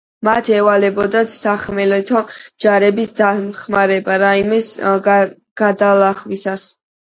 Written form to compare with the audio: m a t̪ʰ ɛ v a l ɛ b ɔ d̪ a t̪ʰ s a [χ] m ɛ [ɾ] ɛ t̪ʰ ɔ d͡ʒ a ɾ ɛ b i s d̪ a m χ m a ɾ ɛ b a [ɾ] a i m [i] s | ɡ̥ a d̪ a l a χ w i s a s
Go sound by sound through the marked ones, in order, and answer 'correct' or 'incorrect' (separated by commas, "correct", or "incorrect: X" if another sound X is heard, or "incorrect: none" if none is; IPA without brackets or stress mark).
correct, incorrect: l, correct, incorrect: ɛ